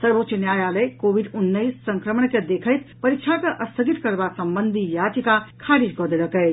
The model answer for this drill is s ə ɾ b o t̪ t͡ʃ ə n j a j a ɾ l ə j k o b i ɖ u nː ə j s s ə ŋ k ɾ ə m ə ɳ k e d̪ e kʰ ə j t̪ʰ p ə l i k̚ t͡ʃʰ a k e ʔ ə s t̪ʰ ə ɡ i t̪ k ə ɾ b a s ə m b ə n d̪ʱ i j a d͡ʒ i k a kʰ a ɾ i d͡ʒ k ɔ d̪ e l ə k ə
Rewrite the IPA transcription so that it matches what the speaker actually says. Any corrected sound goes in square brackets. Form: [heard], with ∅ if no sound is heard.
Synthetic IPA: s ə ɾ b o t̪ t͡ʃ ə n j a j a [∅] l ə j k o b i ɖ u nː ə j s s ə ŋ k ɾ ə m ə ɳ k e d̪ e kʰ ə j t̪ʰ p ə [ɾ] i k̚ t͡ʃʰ a k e ʔ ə s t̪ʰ ə ɡ i t̪ k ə ɾ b a s ə m b ə n d̪ʱ i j a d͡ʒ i k a kʰ a ɾ i d͡ʒ k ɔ d̪ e l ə k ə